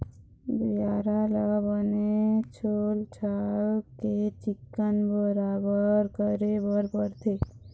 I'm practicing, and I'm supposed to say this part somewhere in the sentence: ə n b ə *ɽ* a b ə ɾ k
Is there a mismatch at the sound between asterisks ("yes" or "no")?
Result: yes